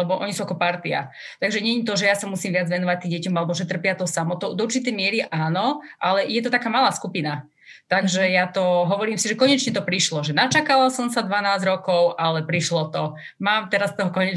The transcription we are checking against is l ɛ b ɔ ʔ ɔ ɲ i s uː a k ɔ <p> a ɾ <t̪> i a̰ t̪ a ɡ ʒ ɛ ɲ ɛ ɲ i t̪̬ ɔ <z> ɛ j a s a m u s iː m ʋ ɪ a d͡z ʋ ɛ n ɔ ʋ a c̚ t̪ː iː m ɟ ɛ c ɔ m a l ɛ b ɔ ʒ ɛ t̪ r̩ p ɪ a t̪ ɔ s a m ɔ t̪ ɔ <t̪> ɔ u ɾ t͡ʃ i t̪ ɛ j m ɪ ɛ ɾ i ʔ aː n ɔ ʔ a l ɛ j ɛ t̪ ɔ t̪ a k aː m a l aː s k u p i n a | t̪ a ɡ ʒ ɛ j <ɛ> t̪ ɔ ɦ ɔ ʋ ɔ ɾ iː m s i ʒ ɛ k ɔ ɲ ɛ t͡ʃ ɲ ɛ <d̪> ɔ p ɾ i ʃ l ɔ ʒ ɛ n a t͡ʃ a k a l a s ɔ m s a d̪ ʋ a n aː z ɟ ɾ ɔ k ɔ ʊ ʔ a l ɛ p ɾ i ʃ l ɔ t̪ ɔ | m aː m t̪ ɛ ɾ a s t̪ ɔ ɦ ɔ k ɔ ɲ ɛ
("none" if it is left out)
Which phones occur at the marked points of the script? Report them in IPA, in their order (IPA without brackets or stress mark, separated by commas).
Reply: p, t̪, ʒ, d̪, a, t̪